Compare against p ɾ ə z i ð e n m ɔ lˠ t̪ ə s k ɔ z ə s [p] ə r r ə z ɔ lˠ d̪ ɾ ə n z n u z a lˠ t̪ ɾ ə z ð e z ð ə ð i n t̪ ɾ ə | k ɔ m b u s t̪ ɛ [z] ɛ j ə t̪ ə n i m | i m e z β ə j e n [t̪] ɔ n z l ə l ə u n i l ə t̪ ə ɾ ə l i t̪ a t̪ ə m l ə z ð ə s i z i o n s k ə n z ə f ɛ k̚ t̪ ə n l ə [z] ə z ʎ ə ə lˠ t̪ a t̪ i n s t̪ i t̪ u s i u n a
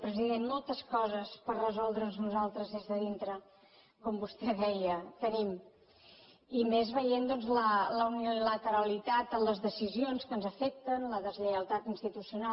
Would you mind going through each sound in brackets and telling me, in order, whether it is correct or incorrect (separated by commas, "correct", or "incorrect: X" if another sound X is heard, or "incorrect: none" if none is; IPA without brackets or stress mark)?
correct, incorrect: ð, incorrect: d̪, incorrect: ð